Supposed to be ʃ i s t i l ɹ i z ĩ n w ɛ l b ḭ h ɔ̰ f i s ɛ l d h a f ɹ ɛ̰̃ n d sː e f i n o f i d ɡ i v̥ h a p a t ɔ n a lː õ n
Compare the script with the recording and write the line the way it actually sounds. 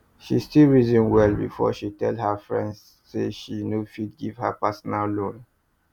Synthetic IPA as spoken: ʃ i s t i l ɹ i z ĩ n w ɛ l b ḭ f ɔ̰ ʃ i t ɛ l d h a f ɹ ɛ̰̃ n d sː e ʃ i n o f i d ɡ i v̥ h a p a s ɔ n a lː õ n